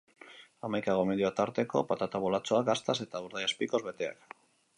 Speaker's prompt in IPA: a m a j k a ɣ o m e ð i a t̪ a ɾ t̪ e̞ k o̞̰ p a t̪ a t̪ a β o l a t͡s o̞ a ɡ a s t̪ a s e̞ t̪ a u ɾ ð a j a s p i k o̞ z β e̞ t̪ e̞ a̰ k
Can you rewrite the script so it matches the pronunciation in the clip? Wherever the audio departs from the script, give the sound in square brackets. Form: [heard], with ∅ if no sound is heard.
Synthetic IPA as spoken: a m a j k a ɣ o m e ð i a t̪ a ɾ t̪ e̞ k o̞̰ p a t̪ a t̪ a β o l a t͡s o̞ a ɡ a s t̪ a s e̞ t̪ a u ɾ ð a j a s p i k o̞ z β e̞ t̪ e̞ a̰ k